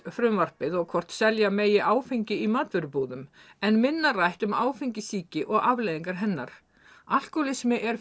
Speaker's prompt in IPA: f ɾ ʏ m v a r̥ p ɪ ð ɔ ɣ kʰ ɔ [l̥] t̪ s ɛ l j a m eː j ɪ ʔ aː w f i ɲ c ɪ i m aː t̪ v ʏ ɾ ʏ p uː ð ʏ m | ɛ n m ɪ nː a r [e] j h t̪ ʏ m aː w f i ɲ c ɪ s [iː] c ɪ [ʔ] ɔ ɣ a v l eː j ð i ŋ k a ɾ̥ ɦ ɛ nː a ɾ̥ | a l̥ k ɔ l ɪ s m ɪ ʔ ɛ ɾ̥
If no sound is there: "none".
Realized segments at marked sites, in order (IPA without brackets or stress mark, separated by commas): r̥, a, iː, ʔ